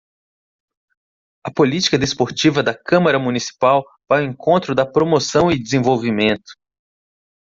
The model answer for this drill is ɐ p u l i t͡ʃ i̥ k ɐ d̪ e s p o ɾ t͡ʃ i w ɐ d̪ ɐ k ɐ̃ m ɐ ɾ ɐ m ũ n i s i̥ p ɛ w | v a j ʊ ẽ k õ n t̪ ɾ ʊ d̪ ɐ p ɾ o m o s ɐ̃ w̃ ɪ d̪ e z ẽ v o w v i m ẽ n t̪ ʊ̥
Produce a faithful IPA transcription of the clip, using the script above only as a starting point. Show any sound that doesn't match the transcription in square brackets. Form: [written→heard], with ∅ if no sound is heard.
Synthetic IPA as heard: ɐ p [u→o] l i t͡ʃ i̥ k ɐ d̪ e s p o ɾ t͡ʃ i [w→v] ɐ d̪ ɐ k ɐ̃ m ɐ ɾ ɐ m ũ n i s i̥ p [ɛ→a] w | v a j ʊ ẽ k õ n t̪ ɾ ʊ d̪ ɐ p ɾ o m o s ɐ̃ w̃ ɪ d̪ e z ẽ v o w v i m ẽ n t̪ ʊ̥